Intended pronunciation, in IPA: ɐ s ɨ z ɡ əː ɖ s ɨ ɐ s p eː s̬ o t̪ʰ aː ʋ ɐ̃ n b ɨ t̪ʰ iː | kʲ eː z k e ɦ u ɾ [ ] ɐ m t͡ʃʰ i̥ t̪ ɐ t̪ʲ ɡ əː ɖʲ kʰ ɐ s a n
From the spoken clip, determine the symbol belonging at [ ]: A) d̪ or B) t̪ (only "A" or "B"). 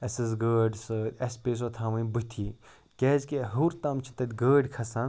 B